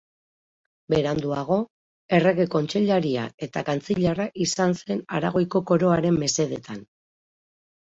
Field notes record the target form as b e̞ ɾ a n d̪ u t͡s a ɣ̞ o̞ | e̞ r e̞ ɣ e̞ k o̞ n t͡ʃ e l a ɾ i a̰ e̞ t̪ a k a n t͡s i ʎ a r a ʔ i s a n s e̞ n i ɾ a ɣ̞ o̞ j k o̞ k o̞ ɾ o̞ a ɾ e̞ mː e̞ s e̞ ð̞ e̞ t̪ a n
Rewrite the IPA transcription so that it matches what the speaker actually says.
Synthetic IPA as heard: b e̞ ɾ a n d̪ u a ɣ̞ o̞ | e̞ r e̞ ɣ e̞ k o̞ n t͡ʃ e ʎ a ɾ i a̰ e̞ t̪ a k a n t͡s i ʎ a r a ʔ i s a n s e̞ n a ɾ a ɣ̞ o̞ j k o̞ k o̞ ɾ o̞ a ɾ e̞ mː e̞ s e̞ ð̞ e̞ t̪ a n

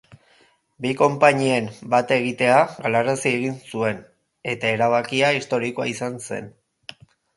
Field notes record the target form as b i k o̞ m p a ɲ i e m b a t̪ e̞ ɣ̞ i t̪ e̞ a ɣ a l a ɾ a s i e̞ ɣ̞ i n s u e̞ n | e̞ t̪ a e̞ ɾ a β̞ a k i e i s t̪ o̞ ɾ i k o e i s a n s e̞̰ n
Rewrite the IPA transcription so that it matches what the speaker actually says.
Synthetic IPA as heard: b i k o̞ m p a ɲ i e m b a t̪ e̞ ɣ̞ i t̪ e̞ a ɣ a l a ɾ a s i e̞ ɣ̞ i n s u e̞ n | e̞ t̪ a e̞ ɾ a β̞ a k i a i s t̪ o̞ ɾ i k o a i s a n s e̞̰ n

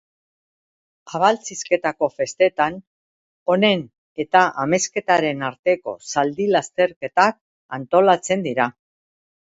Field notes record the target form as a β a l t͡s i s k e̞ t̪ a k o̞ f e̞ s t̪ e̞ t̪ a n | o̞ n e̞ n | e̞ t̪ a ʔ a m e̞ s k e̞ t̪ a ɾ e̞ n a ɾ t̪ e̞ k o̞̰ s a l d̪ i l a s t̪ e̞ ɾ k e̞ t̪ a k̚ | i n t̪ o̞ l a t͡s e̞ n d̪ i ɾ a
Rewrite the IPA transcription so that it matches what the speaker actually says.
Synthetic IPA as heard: a β a l t͡s i s k e̞ t̪ a k o̞ f e̞ s t̪ e̞ t̪ a n | o̞ n e̞ n | e̞ t̪ a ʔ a m e̞ s k e̞ t̪ a ɾ e̞ n a ɾ t̪ e̞ k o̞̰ s a l d̪ i l a s t̪ e̞ ɾ k e̞ t̪ a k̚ | a n t̪ o̞ l a t͡s e̞ n d̪ i ɾ a

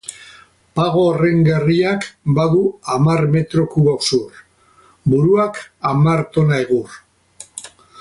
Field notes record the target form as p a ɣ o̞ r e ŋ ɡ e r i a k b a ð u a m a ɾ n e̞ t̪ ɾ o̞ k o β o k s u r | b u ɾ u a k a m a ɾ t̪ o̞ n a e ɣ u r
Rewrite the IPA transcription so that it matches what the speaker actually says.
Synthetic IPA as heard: p a ɣ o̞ r e ŋ ɡ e r i a k b a ð u a m a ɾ m e̞ t̪ ɾ o̞ k u β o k s u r | b u ɾ u a k a m a ɾ t̪ o̞ n a e ɣ u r

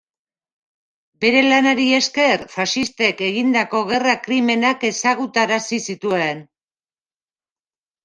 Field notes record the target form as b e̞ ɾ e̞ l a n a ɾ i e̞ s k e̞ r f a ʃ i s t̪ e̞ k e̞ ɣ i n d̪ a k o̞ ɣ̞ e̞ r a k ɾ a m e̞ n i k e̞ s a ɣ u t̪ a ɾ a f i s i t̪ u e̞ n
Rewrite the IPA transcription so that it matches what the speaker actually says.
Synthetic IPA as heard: b e̞ ɾ e̞ l a n a ɾ i e̞ s k e̞ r f a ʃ i s t̪ e̞ k e̞ ɣ i n d̪ a k o̞ ɣ̞ e̞ r a k ɾ i m e̞ n a k e̞ s a ɣ u t̪ a ɾ a s i s i t̪ u e̞ n

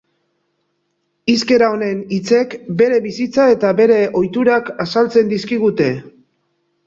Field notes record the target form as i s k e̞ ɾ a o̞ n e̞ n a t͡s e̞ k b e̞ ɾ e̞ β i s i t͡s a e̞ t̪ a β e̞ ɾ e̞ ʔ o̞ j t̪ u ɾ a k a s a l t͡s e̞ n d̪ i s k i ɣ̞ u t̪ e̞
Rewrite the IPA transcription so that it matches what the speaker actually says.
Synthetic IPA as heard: i s k e̞ ɾ a o̞ n e̞ n i t͡s e̞ k b e̞ ɾ e̞ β i s i t͡s a e̞ t̪ a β e̞ ɾ e̞ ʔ o̞ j t̪ u ɾ a k a s a l t͡s e̞ n d̪ i s k i ɣ̞ u t̪ e̞

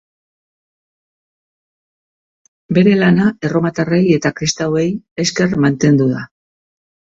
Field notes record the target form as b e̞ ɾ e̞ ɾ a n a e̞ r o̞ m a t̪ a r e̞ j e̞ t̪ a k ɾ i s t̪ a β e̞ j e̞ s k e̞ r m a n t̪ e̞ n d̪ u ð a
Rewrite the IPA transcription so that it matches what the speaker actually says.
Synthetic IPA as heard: b e̞ ɾ e̞ l a n a e̞ r o̞ m a t̪ a r e̞ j e̞ t̪ a k ɾ i s t̪ a w e̞ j e̞ s k e̞ r m a n t̪ e̞ n d̪ u ð a

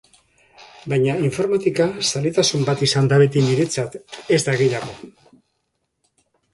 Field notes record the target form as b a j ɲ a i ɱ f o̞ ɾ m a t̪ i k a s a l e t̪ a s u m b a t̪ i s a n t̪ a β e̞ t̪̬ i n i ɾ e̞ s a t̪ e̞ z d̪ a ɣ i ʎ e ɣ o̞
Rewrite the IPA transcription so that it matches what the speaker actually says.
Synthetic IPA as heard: b a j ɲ a i ɱ f o̞ ɾ m a t̪ i k a s a l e t̪ a s u m b a t̪ i s a n d̪ a β e̞ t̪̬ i n i ɾ e̞ t͡s a t̪ e̞ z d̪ a ɣ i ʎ a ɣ o̞

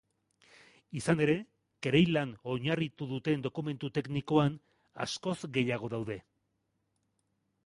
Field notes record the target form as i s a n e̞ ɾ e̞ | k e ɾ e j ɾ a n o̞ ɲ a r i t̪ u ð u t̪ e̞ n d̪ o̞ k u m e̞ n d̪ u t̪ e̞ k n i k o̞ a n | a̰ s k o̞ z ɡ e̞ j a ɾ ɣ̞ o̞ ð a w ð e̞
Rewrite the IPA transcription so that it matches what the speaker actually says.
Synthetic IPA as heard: i s a n e̞ ɾ e̞ | k e ɾ e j l a n o̞ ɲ a r i t̪ u ð u t̪ e̞ n d̪ o̞ k u m e̞ n t̪ u t̪ e̞ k n i k o̞ a n | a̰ s k o̞ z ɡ e̞ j a ɣ̞ o̞ ð a w ð e̞

